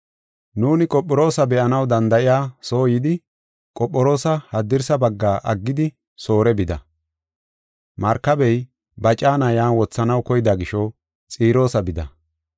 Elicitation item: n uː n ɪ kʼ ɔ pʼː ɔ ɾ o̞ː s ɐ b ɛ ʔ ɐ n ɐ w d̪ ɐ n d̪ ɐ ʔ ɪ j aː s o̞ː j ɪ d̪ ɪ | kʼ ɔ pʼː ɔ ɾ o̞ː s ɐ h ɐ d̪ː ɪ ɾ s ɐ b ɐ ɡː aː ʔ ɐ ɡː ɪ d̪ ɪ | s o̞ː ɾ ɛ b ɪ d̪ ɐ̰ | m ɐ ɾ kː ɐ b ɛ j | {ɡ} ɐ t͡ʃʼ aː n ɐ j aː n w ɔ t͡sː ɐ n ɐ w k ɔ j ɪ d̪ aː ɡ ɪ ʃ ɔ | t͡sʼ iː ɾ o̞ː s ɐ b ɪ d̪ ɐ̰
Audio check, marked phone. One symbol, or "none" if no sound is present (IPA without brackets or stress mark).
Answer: b